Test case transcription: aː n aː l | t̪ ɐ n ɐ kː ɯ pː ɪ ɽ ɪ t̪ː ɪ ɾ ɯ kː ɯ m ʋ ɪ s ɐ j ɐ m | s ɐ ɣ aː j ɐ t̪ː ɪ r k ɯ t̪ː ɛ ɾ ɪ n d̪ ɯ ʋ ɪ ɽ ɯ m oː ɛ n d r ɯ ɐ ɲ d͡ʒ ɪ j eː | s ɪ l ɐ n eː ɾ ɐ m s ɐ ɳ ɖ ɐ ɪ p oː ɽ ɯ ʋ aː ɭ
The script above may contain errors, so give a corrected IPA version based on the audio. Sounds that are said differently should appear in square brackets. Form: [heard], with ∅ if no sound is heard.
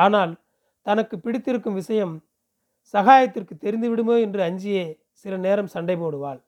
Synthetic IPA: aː n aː l | t̪ ɐ n ɐ kː ɯ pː ɪ ɽ ɪ t̪ː ɪ ɾ ɯ kː ɯ m ʋ ɪ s ɐ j ɐ m | s ɐ ɣ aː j ɐ t̪ː ɪ r k ɯ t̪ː ɛ ɾ ɪ n d̪ ɯ ʋ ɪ ɽ ɯ m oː ɛ n d r ɯ ɐ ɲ d͡ʒ ɪ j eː | s ɪ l ɐ n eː ɾ ɐ m s ɐ ɳ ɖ ɐ ɪ p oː ɽ ɯ ʋ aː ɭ